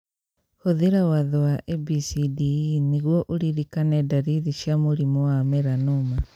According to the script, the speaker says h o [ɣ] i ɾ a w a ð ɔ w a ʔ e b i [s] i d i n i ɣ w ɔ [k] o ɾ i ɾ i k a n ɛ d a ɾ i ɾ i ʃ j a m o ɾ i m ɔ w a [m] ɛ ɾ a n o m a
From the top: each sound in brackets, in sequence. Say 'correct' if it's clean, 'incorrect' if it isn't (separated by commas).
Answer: incorrect, correct, incorrect, correct